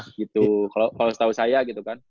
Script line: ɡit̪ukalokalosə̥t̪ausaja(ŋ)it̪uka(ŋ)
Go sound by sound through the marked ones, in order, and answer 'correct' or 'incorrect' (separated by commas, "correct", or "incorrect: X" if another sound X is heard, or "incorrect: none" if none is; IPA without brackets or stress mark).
incorrect: ɡ, incorrect: n